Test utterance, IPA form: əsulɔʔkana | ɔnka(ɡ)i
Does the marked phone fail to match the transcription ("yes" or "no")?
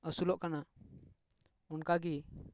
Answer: no